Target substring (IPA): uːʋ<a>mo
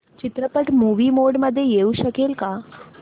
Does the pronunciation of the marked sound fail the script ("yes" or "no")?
yes